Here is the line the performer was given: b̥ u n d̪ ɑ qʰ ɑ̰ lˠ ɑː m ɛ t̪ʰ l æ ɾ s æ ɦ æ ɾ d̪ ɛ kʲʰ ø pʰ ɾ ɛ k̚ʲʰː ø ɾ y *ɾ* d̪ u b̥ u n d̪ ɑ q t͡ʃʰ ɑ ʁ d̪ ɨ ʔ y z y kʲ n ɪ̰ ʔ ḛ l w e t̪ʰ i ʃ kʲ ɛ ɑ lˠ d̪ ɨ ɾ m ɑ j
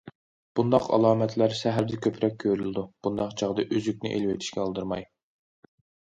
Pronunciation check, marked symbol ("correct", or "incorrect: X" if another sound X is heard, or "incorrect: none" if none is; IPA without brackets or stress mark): incorrect: l